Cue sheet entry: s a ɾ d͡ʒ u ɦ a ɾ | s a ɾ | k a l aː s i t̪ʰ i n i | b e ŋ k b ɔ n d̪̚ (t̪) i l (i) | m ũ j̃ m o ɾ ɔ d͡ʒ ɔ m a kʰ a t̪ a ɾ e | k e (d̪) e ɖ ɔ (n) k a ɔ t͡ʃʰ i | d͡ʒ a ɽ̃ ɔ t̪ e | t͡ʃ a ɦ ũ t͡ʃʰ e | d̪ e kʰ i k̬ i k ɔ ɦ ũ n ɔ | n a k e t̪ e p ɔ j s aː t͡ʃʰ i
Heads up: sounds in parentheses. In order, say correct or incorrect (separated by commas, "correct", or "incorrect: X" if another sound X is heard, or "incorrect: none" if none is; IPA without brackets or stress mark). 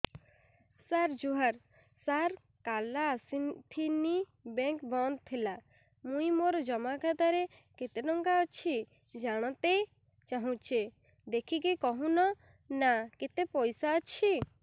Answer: incorrect: t̪ʰ, incorrect: a, incorrect: t̪, incorrect: ŋ